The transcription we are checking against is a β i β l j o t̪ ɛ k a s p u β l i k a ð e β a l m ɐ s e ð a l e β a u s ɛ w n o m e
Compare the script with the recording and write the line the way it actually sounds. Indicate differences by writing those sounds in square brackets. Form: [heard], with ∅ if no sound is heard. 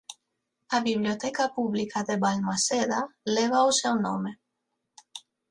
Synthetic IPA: a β i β l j o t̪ ɛ k a [∅] p u β l i k a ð e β a l m [a] s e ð a l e β a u s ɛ w n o m e